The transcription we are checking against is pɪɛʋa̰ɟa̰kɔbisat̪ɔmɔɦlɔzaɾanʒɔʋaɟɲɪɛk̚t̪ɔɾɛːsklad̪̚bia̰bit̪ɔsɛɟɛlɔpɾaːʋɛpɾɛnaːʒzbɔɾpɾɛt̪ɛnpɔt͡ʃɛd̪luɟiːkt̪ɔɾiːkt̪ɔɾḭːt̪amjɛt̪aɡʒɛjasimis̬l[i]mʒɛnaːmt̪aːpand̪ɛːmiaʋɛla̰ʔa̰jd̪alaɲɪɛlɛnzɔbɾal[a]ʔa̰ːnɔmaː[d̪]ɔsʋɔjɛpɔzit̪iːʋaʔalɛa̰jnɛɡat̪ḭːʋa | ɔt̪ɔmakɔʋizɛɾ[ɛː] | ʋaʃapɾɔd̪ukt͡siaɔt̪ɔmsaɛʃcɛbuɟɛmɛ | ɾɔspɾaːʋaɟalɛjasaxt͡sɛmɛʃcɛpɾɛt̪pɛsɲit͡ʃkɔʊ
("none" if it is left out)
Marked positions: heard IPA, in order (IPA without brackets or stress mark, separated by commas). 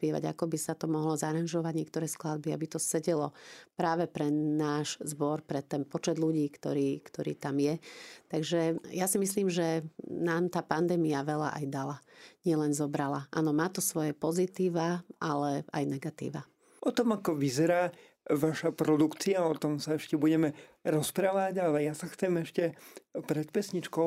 iː, a, t̪, aː